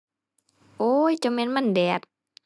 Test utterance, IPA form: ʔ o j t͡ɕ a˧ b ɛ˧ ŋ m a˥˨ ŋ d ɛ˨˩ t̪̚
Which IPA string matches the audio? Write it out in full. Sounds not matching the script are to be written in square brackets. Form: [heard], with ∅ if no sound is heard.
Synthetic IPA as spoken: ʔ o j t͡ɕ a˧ [m] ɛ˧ [n] m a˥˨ [n] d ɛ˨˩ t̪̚